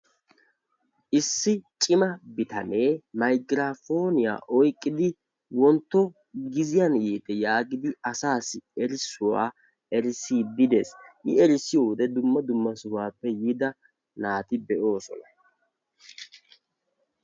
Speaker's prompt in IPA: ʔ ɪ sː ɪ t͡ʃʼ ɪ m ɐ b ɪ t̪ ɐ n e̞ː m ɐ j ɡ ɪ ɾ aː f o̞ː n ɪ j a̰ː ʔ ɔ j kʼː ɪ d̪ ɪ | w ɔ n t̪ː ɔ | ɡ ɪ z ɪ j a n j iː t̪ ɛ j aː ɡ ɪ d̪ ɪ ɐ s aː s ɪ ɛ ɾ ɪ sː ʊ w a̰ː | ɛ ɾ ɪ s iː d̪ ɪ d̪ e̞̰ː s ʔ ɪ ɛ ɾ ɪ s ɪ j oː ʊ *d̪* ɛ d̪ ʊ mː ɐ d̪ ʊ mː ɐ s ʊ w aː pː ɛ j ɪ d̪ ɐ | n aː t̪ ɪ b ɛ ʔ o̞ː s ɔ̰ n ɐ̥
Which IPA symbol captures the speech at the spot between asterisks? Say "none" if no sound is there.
d̪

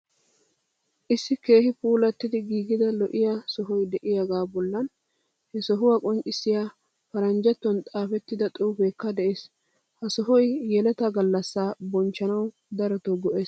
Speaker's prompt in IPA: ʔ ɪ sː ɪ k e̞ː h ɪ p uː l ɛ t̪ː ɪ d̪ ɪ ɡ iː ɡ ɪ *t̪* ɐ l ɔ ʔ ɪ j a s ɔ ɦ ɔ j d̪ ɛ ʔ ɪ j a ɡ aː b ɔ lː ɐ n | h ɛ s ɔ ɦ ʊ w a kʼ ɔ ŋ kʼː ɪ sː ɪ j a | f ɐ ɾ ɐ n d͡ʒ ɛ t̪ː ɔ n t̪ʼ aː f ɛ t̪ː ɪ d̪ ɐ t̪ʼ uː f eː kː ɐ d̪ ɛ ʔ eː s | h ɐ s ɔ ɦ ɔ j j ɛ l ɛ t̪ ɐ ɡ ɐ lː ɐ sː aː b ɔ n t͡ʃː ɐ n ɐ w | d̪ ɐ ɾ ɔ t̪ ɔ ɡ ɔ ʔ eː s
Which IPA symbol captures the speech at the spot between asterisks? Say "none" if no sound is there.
d̪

